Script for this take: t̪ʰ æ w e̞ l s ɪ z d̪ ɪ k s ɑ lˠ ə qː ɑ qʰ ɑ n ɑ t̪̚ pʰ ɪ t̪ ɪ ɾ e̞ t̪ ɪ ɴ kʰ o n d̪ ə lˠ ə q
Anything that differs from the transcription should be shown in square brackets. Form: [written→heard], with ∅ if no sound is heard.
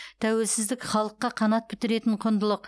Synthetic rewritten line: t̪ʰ æ w e̞ l s ɪ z d̪ ɪ k [s→χ] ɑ lˠ ə qː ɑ qʰ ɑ n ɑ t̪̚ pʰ ɪ t̪ ɪ ɾ e̞ t̪ ɪ ɴ [kʰ→qʰ] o n d̪ ə lˠ ə q